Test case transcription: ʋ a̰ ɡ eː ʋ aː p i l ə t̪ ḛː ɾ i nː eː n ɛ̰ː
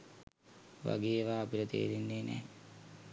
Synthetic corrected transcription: ʋ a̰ ɡ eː ʋ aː p i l ə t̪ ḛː ɾ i nː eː n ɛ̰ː